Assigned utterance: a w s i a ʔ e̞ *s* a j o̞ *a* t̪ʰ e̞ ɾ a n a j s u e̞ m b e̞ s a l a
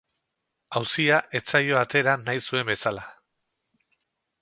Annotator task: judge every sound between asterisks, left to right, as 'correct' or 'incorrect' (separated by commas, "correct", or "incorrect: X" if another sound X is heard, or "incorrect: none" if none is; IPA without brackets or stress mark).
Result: incorrect: t͡s, correct